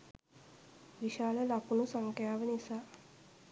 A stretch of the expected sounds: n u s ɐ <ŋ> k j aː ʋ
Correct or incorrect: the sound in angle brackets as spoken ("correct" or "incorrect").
correct